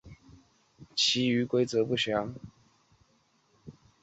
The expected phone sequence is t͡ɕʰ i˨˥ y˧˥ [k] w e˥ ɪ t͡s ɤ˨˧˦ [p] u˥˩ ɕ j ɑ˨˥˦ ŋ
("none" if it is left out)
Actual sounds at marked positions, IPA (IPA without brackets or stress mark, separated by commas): k, p